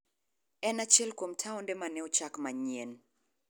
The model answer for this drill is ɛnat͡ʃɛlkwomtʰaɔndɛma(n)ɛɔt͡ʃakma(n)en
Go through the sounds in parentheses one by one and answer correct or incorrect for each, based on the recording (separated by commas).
correct, incorrect